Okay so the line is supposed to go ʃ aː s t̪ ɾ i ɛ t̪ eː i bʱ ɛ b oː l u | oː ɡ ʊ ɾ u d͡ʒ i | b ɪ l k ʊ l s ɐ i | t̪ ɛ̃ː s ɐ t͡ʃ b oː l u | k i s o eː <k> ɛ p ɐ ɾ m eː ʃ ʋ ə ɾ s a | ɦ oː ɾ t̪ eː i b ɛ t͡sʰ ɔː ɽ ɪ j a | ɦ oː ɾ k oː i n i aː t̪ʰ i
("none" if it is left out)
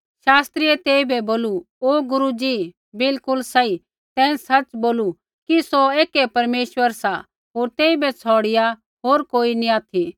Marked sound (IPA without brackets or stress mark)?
k